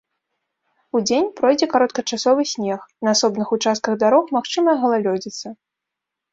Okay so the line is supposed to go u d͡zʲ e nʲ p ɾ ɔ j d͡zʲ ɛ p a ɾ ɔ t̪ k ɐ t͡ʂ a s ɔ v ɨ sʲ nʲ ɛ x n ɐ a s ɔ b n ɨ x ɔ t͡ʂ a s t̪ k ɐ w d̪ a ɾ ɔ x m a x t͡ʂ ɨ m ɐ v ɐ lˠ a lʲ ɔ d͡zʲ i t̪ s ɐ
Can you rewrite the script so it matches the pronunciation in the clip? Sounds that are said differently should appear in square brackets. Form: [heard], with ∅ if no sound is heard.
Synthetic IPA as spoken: u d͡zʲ e nʲ p ɾ ɔ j d͡zʲ ɛ [k] a ɾ ɔ t̪ k ɐ t͡ʂ a s ɔ v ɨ sʲ nʲ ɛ x n ɐ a s ɔ b n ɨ x [u] t͡ʂ a s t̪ k ɐ [ɣ] d̪ a ɾ ɔ x m a x t͡ʂ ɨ m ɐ [ɣ] ɐ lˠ a lʲ ɔ d͡zʲ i t̪ s ɐ